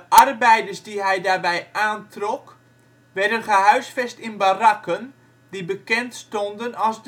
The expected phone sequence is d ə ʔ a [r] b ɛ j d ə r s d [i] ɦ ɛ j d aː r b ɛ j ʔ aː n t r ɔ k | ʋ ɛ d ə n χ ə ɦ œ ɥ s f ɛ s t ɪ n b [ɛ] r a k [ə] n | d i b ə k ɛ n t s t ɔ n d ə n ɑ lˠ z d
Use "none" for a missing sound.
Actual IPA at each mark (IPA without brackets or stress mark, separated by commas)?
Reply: r, i, a, ə